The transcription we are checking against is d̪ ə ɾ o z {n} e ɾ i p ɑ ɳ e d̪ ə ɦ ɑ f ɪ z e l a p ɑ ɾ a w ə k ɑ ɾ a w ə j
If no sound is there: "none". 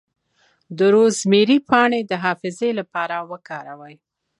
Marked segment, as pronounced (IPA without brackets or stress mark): m